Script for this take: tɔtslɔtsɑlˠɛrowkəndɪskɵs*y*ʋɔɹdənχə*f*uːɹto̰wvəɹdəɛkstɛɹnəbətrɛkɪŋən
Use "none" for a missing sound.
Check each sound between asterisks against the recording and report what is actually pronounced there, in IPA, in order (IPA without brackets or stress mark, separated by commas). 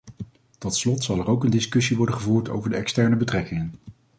i, v